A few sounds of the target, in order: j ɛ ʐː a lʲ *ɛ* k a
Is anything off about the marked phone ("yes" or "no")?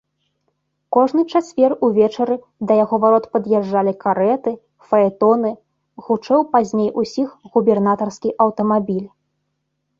yes